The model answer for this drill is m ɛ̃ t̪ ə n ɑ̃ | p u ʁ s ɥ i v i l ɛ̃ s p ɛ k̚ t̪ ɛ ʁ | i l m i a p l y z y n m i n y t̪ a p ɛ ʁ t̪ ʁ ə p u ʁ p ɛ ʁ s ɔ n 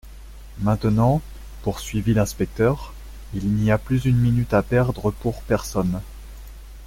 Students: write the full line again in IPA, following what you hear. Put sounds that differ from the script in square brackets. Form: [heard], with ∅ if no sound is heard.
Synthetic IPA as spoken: m ɛ̃ t̪ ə n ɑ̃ | p u ʁ s ɥ i v i l ɛ̃ s p ɛ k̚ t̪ [œ] ʁ | i l [n] i a p l y z y n m i n y t̪ a p ɛ ʁ [d̪] ʁ ə p u ʁ p ɛ ʁ s ɔ n